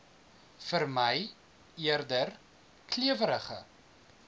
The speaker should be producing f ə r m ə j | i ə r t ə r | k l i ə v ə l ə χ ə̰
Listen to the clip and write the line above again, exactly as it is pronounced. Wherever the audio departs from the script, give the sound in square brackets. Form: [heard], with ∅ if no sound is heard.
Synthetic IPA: f ə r m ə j | i ə r [d] ə r | k l i ə v ə [ɾ] ə χ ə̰